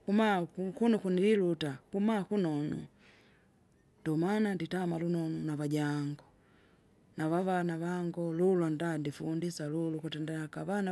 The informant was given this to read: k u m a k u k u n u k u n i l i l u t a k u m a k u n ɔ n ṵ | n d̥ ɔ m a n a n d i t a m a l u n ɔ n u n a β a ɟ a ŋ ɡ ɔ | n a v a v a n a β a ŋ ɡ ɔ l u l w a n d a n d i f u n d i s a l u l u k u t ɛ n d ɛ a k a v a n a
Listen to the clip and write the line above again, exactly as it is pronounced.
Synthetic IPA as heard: k u m a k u k u n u k u n i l i l u t a k u m a k u n ɔ n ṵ | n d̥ ɔ m a n a n d i t a m a l u n ɔ n u n a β a ɟ a ŋ ɡ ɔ | n a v a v a n a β a ŋ ɡ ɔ l u l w a n d a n d i f u n d i s a l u l u k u t ɛ n d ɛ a k a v a n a